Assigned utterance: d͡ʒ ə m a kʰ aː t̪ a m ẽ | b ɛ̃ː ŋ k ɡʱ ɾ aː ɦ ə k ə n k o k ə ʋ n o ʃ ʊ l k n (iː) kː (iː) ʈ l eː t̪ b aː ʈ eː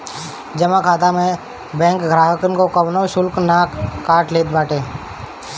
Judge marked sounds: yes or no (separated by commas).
no, no